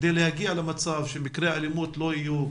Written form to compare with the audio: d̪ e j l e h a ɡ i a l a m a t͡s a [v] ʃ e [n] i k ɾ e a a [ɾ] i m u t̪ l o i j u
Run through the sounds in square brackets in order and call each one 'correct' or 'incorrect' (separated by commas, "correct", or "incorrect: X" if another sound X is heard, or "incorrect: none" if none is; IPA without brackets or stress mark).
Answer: correct, incorrect: m, incorrect: l